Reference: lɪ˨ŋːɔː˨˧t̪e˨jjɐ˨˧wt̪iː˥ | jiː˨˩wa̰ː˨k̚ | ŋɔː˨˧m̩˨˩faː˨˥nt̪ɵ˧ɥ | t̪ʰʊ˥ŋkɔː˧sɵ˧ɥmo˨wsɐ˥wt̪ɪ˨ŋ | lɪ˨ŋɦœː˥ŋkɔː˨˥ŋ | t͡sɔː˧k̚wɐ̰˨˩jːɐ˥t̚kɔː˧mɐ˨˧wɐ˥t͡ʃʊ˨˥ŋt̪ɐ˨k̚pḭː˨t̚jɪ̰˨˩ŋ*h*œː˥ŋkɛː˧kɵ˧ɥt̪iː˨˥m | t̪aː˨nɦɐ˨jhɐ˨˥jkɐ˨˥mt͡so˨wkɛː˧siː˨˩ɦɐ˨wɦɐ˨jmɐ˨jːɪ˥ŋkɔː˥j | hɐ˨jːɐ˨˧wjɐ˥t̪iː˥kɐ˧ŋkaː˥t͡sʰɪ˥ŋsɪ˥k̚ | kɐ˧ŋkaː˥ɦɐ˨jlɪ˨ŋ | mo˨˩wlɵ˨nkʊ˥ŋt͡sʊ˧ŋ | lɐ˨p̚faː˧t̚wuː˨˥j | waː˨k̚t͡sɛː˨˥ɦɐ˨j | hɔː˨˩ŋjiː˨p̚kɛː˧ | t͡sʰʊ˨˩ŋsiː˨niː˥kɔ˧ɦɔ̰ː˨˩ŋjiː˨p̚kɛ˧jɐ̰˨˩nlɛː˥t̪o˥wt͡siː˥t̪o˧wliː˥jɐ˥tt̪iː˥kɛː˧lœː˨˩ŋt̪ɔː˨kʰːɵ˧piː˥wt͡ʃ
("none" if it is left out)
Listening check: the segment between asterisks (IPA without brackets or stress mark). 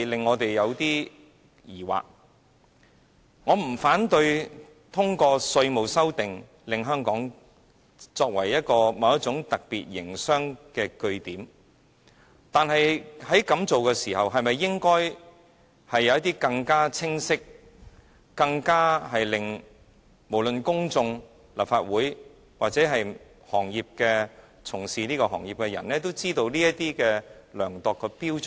s